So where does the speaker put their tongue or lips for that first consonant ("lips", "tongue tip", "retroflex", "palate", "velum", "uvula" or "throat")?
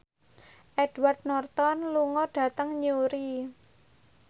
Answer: throat